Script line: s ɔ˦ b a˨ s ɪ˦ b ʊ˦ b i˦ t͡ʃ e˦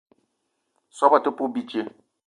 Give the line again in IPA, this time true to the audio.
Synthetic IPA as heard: s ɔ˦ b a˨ t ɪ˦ p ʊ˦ b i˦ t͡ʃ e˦